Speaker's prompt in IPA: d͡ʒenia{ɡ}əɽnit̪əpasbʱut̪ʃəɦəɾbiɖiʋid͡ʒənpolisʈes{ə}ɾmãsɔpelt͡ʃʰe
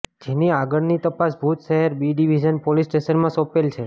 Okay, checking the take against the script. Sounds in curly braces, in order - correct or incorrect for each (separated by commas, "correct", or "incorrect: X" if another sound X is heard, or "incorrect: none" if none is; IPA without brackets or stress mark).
correct, correct